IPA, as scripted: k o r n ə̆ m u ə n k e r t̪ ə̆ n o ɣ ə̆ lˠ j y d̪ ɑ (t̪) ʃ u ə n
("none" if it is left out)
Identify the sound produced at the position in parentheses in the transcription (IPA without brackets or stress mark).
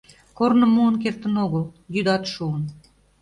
t̪